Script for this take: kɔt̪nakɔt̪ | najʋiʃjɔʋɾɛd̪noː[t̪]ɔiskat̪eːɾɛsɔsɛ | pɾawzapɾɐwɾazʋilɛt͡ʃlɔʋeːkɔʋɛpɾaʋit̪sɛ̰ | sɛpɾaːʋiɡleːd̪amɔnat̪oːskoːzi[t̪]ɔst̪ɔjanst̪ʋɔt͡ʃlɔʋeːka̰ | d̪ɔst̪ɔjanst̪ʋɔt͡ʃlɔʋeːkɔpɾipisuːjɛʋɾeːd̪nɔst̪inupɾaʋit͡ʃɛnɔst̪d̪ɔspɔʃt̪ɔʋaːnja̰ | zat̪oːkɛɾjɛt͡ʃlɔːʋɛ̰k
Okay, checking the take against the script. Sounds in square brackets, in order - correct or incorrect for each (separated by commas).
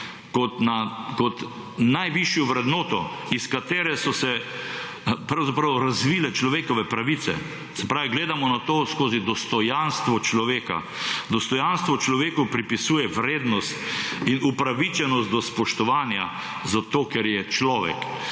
correct, incorrect